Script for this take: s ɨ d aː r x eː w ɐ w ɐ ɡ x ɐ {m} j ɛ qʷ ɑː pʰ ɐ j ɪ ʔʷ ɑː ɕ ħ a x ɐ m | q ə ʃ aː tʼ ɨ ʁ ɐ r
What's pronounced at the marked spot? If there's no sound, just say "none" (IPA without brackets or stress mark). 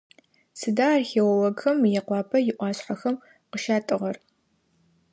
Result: m